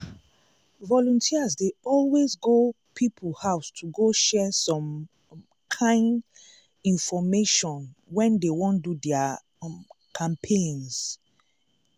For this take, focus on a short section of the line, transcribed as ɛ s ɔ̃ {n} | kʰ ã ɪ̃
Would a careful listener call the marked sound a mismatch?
yes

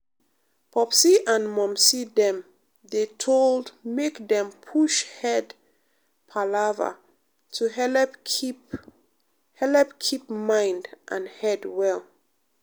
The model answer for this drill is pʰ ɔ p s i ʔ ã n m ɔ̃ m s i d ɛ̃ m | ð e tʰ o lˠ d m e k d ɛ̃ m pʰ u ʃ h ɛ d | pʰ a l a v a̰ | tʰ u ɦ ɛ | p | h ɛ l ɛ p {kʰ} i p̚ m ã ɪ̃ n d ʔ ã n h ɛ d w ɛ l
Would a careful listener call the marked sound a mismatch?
no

